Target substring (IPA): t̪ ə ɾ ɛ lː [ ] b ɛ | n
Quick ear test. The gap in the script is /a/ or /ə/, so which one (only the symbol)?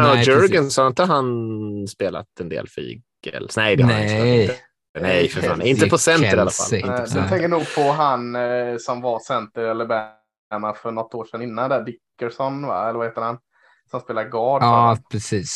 ə